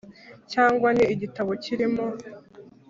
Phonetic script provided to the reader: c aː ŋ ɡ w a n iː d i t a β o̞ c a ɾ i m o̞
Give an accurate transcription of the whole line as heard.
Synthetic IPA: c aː ŋ ɡ w a n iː ɟ i t a β o̞ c i ɾ i m o̞